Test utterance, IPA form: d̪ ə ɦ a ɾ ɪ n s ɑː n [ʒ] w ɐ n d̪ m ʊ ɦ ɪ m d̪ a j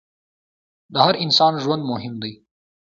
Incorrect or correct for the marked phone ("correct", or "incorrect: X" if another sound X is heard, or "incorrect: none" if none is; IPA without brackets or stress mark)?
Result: correct